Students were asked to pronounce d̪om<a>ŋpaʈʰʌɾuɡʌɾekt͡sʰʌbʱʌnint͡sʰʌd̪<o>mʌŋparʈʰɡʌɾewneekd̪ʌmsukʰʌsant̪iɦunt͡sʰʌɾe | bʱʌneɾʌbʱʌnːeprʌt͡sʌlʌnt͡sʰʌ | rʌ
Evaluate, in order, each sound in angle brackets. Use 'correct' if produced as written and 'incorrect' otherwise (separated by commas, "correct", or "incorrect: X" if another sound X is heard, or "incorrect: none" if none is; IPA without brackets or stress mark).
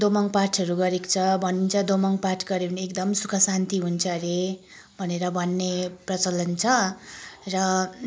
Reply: incorrect: ʌ, correct